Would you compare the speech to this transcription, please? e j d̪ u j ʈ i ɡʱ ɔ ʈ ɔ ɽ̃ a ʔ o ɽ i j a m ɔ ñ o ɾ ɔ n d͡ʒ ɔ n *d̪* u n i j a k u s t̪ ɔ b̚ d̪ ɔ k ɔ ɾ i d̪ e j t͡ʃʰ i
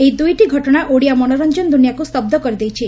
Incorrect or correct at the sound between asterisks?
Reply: correct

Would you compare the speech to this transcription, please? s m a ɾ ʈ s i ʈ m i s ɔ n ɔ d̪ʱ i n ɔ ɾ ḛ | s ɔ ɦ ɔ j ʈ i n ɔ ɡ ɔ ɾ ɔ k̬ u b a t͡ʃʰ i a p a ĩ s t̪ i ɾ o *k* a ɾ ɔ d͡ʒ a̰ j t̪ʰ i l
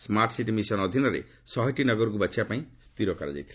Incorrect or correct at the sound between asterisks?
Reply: correct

